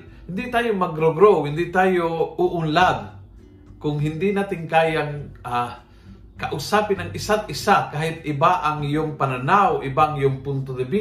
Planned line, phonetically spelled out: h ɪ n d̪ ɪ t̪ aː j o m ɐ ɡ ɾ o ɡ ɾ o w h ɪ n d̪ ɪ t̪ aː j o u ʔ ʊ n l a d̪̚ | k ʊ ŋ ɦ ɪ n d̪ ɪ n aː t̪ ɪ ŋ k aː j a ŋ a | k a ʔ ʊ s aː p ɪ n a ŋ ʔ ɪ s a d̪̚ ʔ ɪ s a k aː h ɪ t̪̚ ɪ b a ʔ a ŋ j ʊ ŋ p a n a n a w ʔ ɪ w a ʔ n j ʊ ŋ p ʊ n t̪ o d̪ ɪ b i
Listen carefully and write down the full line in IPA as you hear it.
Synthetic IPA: h ɪ n d̪ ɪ t̪ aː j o m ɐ ɡ ɾ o ɡ ɾ o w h ɪ n d̪ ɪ t̪ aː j o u ʔ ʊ n l a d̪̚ | k ʊ ŋ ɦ ɪ n d̪ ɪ n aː t̪ ɪ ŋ k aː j a ŋ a | k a ʔ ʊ s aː p ɪ n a ŋ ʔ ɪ s a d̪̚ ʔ ɪ s a k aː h ɪ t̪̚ ɪ b a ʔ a ŋ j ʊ ŋ p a n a n a w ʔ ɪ b a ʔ ŋ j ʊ ŋ p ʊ n t̪ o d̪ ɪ b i